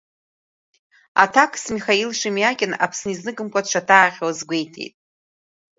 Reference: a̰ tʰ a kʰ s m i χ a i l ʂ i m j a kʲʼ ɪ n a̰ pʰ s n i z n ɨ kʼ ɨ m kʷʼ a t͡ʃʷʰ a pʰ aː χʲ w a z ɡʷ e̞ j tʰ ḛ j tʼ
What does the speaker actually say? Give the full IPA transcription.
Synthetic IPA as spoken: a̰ tʰ a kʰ s m i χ a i l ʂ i m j a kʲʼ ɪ n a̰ pʰ s n i z n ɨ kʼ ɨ m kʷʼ a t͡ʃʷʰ a tʰ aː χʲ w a z ɡʷ e̞ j tʰ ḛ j tʼ